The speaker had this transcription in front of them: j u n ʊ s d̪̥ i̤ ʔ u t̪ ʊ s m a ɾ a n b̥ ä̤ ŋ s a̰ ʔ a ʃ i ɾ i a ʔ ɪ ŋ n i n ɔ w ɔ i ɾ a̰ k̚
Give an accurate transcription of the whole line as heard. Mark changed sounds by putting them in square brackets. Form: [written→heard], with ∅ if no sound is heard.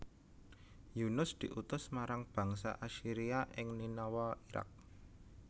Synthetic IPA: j u n ʊ s d̪̥ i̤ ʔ u t̪ ʊ s m a ɾ a [n→ŋ] b̥ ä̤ ŋ s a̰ ʔ a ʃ i ɾ i a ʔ ɪ ŋ n i n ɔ w ɔ i ɾ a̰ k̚